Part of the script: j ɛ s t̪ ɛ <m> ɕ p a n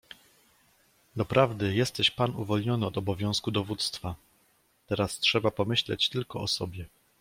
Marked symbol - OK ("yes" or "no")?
no